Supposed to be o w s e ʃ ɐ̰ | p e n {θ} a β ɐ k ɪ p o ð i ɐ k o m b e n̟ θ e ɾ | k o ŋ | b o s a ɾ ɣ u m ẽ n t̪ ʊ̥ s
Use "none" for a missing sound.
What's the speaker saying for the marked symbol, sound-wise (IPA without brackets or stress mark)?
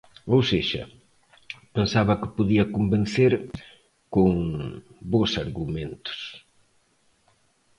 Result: s